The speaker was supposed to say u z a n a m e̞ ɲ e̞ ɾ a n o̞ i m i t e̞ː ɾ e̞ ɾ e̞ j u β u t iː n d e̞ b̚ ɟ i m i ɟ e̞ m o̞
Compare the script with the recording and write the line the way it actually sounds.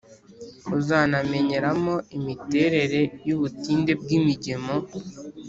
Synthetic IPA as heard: u z a n a m e̞ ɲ e̞ ɾ a m o̞ i m i t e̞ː ɾ e̞ ɾ e̞ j u β u t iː n d e̞ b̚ ɡ i m i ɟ e̞ m o̞

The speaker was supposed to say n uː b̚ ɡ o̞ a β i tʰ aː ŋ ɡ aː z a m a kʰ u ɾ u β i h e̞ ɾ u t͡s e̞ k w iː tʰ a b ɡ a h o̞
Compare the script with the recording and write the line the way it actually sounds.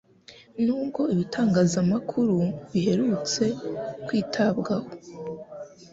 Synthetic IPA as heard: n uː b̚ ɡ o̞ i β i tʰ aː ŋ ɡ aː z a m a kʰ u ɾ u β i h e̞ ɾ u t͡s e̞ k w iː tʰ a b ɡ a h o̞

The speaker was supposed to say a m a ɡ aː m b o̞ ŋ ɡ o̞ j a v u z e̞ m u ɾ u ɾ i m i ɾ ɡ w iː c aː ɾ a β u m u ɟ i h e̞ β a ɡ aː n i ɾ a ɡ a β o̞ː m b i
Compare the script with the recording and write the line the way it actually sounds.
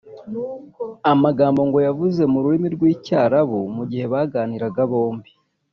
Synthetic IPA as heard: a m a ɡ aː m b o̞ ŋ ɡ o̞ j a v u z e̞ m u ɾ u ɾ i m i ɾ ɡ w iː c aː ɾ a β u m u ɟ i h e̞ β a ɡ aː n i ɾ a ɡ a β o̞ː m b i

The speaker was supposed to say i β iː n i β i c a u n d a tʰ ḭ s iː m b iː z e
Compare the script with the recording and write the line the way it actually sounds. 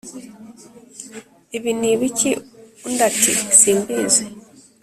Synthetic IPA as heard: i β i n i β i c i u n d a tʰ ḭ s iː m b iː z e

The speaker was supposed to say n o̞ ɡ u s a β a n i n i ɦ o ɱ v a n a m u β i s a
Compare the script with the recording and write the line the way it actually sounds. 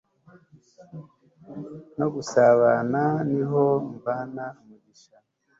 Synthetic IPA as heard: n o̞ ɡ u s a β a n a n i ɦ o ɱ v a n a m u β i ʃ a

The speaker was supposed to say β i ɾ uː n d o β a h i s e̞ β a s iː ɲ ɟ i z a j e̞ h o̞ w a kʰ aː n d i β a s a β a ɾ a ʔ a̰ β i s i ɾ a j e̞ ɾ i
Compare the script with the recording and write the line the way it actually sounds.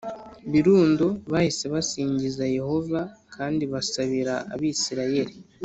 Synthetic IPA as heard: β i ɾ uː n d o β a h i s e̞ β a s iː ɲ ɟ i z a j e̞ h o̞ v a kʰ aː n d i β a s a β i ɾ a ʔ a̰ β i s i ɾ a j e̞ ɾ i

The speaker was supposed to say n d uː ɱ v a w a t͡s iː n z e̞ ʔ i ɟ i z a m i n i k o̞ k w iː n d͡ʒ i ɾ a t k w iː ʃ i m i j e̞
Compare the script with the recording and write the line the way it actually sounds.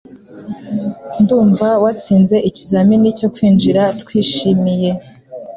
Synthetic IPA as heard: n d uː ɱ v a w a t͡s iː n z e̞ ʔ i c i z a m i n i c o̞ k w iː n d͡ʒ i ɾ a t k w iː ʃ i m i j e̞

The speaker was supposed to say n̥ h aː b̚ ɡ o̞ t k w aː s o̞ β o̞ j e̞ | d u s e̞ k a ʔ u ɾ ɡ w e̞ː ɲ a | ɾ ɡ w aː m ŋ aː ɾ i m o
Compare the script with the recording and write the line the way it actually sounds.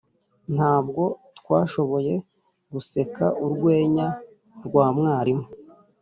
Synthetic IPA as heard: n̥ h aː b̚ ɡ o̞ t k w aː ʃ o̞ β o̞ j e̞ | ɡ u s e̞ k a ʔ u ɾ ɡ w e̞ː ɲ a | ɾ ɡ w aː m ŋ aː ɾ i m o

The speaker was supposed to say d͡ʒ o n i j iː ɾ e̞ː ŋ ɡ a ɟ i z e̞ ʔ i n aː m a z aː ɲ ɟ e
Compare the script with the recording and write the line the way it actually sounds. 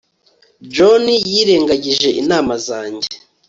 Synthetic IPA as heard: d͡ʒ o n i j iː ɾ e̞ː ŋ ɡ a ɟ i ʒ e̞ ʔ i n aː m a z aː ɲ ɟ e

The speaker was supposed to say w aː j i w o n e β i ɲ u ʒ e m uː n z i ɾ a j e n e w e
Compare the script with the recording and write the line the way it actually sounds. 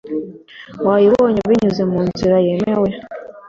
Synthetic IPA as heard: w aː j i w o ɲ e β i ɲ u z e m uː n z i ɾ a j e m e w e

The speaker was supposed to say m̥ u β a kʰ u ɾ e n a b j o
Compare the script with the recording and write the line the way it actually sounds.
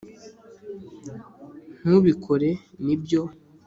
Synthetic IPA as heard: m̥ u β i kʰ o ɾ e n i b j o

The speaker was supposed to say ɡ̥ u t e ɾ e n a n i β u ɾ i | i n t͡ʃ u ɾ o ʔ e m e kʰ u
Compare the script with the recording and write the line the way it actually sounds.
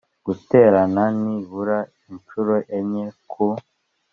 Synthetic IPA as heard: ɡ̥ u t e ɾ a n a n i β u ɾ a | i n t͡ʃ u ɾ o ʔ e ɲ e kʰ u

